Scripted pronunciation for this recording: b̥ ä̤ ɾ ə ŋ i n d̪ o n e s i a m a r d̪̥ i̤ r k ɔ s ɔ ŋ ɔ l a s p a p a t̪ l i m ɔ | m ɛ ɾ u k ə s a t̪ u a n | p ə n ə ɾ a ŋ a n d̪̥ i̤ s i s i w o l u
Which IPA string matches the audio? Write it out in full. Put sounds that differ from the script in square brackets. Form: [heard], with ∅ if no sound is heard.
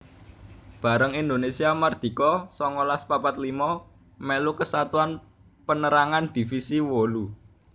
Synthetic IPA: b̥ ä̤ ɾ ə ŋ i n d̪ o n e s i a m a r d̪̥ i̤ [∅] k ɔ s ɔ ŋ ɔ l a s p a p a t̪ l i m ɔ | m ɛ [l] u k ə s a t̪ u a n | p ə n ə ɾ a ŋ a n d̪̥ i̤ [f] i s i w o l u